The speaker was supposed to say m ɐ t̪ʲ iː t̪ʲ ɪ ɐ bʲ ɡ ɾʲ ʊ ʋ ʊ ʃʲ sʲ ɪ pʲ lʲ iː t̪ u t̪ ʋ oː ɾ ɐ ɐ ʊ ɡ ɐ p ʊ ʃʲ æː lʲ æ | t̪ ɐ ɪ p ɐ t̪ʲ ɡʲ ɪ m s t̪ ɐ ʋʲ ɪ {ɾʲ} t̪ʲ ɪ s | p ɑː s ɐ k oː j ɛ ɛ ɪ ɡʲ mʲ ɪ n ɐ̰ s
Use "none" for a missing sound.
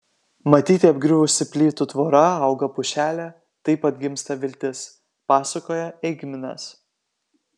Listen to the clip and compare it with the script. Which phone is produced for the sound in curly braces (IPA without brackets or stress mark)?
lʲ